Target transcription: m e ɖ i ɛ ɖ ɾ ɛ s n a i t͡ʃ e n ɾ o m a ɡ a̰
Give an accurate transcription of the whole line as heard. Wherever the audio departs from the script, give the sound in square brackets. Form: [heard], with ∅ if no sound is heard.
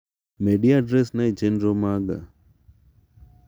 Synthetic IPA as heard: m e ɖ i [a] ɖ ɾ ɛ s n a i t͡ʃ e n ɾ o m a ɡ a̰